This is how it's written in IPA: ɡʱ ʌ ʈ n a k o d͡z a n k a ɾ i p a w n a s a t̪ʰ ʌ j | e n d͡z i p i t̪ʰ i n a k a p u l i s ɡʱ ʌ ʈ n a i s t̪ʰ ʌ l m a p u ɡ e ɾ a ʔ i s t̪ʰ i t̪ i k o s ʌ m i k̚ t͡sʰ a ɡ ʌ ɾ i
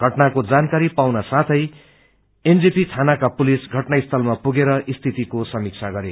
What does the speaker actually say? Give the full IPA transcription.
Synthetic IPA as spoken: ɡʱ ʌ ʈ n a k o d͡z a n k a ɾ i p a w n a s a t̪ʰ ʌ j | e n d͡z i p i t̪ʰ a n a k a p u l i s ɡʱ ʌ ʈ n a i s t̪ʰ ʌ l m a p u ɡ e ɾ ʌ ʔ i s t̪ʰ i t̪ i k o s ʌ m i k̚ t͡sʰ a ɡ ʌ ɾ e